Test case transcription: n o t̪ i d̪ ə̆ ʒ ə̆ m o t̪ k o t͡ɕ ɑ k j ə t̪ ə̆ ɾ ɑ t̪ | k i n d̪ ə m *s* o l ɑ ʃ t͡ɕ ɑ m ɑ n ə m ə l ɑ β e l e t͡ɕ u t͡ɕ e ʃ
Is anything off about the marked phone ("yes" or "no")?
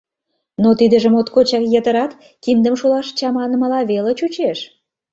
yes